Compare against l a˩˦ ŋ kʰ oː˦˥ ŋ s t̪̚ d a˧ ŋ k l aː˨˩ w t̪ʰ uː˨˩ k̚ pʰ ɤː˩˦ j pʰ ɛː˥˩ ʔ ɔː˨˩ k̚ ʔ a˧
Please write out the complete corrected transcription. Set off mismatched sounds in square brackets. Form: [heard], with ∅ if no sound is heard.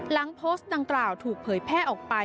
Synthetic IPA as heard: l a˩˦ ŋ [pʰ] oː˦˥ [∅] s t̪̚ d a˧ ŋ k l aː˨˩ w t̪ʰ uː˨˩ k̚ pʰ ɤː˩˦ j pʰ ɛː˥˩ ʔ ɔː˨˩ k̚ [p] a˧